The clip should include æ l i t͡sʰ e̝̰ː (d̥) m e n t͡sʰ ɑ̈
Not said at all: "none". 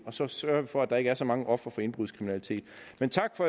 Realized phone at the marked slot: d̥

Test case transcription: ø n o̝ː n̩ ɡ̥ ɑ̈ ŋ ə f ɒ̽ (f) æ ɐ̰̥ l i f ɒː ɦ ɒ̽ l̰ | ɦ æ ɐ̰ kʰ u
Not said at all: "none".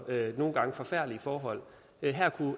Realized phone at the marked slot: f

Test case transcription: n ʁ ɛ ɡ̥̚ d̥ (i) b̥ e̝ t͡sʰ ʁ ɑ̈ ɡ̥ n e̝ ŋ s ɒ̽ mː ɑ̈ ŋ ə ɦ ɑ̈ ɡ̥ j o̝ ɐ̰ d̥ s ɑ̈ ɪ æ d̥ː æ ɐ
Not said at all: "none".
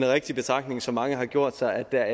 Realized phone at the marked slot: i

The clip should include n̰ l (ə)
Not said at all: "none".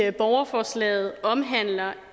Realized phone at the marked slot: ɐ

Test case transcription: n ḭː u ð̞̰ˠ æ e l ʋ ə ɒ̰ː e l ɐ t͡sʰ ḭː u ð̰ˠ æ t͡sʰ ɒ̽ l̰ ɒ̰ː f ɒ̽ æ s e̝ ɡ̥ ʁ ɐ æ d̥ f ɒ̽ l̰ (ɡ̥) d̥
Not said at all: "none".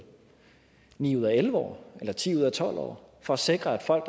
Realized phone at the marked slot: ɡ̥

